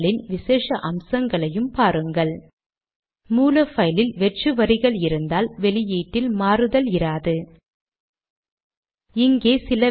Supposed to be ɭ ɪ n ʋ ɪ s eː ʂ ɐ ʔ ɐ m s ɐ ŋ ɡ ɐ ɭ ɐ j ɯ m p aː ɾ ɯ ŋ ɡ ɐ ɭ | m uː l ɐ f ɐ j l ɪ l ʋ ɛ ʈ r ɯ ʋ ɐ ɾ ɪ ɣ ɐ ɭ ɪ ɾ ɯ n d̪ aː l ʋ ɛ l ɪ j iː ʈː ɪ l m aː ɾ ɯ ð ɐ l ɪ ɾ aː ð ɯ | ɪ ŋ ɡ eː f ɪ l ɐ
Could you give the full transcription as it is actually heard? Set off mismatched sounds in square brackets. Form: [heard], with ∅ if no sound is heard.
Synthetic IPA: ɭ ɪ n ʋ ɪ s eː ʂ ɐ ʔ ɐ m s ɐ ŋ ɡ ɐ ɭ ɐ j ɯ m p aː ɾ ɯ ŋ ɡ ɐ ɭ | m uː l ɐ f ɐ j l ɪ l ʋ ɛ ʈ r ɯ ʋ ɐ ɾ ɪ ɣ ɐ ɭ ɪ ɾ ɯ n d̪ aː l ʋ ɛ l ɪ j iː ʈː ɪ l m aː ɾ ɯ ð ɐ l ɪ ɾ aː ð ɯ | ɪ ŋ ɡ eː [s] ɪ l ɐ

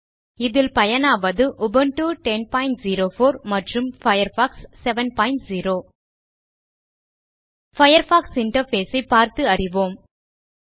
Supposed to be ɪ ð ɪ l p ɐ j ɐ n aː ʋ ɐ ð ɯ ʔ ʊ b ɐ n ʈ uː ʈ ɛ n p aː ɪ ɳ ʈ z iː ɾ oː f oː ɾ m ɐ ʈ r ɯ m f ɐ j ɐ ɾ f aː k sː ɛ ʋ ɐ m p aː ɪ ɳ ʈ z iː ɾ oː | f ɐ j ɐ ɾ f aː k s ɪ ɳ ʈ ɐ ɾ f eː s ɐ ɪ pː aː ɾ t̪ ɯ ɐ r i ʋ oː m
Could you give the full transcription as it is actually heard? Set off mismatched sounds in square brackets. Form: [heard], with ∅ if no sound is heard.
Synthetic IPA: ɪ ð ɪ l p ɐ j ɐ n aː ʋ ɐ ð ɯ ʔ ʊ b ɐ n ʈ uː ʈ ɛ n p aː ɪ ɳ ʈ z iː ɾ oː f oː ɾ m ɐ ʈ r ɯ m f ɐ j ɐ ɾ f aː k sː ɛ ʋ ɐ [n] p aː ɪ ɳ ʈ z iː ɾ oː | f ɐ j ɐ ɾ f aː k s ɪ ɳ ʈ ɐ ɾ f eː s ɐ ɪ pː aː ɾ t̪ ɯ ɐ r [ɪ] ʋ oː m

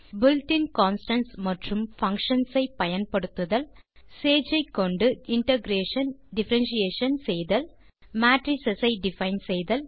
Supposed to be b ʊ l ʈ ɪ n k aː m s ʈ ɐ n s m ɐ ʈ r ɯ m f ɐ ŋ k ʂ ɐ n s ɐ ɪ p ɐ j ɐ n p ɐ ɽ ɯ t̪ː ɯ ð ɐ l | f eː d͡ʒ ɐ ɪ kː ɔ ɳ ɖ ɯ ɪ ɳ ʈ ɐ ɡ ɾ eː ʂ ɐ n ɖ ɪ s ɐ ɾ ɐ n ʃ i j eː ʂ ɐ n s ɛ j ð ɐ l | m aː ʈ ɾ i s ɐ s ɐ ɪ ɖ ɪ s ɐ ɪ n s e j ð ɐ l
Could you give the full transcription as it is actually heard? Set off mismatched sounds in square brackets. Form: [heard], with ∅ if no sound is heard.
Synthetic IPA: b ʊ l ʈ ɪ n k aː [n] s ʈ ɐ n s m ɐ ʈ r ɯ m f ɐ ŋ k ʂ ɐ n s ɐ ɪ p ɐ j ɐ n p ɐ ɽ ɯ t̪ː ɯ ð ɐ l | [s] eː d͡ʒ ɐ ɪ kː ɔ ɳ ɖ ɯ ɪ ɳ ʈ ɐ ɡ ɾ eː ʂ ɐ n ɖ ɪ [f] ɐ ɾ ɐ n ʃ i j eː ʂ ɐ n s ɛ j ð ɐ l | m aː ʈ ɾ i s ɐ s ɐ ɪ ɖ ɪ [f] ɐ ɪ n s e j ð ɐ l

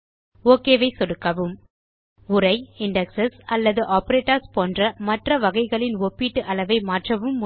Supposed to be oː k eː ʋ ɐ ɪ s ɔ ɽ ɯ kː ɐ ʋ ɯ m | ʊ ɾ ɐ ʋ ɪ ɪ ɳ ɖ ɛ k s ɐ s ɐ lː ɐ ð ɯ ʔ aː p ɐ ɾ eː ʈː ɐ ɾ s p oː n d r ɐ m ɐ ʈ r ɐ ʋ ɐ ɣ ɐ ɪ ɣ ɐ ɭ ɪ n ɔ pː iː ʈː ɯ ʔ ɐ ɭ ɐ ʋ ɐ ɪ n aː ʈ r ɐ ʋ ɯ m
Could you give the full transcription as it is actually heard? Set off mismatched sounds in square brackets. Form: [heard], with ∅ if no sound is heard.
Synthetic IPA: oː k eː ʋ ɐ ɪ s ɔ ɽ ɯ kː ɐ ʋ ɯ m | ʊ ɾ ɐ [∅] ɪ ɪ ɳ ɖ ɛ k s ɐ s ɐ lː ɐ ð ɯ ʔ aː p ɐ ɾ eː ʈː ɐ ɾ s p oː n d r ɐ m ɐ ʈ r ɐ ʋ ɐ ɣ ɐ ɪ ɣ ɐ ɭ ɪ n ɔ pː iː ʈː ɯ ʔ ɐ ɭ ɐ ʋ ɐ ɪ [m] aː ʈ r ɐ ʋ ɯ m

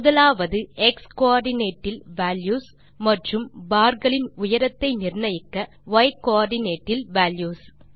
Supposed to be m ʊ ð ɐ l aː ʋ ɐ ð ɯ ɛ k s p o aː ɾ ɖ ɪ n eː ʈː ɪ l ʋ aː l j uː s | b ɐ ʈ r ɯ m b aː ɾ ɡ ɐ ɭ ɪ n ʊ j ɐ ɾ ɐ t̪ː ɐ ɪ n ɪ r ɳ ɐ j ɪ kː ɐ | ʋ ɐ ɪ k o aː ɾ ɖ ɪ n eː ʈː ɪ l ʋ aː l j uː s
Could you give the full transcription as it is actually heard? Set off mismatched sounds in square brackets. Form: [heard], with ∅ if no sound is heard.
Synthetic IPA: m ʊ ð ɐ l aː ʋ ɐ ð ɯ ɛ k s [k] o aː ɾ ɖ ɪ n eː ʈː ɪ l ʋ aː l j uː s | [m] ɐ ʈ r ɯ m b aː ɾ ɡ ɐ ɭ ɪ n ʊ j ɐ ɾ ɐ t̪ː ɐ ɪ n ɪ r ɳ ɐ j ɪ kː ɐ | ʋ ɐ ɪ k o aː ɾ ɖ ɪ n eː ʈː ɪ l ʋ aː l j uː s

